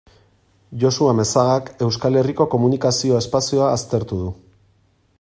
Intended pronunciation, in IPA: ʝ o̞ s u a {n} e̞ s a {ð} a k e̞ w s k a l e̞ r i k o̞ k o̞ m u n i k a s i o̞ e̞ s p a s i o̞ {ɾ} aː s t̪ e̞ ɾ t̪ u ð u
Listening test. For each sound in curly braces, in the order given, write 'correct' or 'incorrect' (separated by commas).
incorrect, incorrect, incorrect